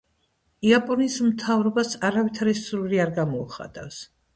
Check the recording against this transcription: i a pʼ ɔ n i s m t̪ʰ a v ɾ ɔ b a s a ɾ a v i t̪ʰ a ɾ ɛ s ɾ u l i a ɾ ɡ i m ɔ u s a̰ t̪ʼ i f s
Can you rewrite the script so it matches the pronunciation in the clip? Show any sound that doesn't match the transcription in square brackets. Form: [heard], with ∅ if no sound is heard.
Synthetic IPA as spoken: i a pʼ ɔ n i s m t̪ʰ a v ɾ ɔ b a s a ɾ a v i t̪ʰ a ɾ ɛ s ɾ u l i a ɾ ɡ [a] m ɔ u [χ] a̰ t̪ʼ [a] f s